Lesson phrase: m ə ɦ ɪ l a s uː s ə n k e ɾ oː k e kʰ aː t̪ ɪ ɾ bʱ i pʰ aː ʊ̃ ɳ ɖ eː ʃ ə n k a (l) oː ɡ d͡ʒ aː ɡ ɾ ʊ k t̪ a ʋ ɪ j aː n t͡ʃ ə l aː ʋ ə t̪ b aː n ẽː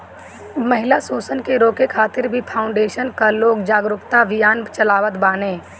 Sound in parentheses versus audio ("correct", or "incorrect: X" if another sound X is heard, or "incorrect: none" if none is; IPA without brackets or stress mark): correct